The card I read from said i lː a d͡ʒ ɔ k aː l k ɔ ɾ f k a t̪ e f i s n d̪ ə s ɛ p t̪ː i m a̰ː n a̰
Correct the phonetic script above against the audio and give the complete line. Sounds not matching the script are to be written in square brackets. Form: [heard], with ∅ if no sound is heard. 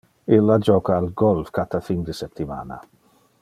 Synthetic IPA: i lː a d͡ʒ ɔ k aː l [ɡ] ɔ [l] f k a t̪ [a] f i [∅] n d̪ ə s ɛ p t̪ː i m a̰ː n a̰